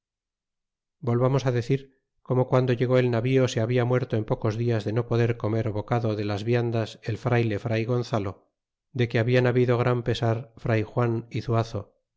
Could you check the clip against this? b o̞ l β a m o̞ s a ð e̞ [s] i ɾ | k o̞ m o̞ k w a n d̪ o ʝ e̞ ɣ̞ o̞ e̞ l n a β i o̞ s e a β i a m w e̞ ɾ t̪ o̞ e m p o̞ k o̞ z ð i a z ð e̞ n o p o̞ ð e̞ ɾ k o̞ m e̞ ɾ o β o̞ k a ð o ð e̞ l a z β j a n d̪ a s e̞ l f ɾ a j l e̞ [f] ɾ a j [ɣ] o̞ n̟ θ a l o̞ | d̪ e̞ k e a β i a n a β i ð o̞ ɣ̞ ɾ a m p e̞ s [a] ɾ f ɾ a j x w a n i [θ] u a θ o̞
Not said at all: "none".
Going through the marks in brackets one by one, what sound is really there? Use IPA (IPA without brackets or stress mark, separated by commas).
θ, f, ɣ, a, θ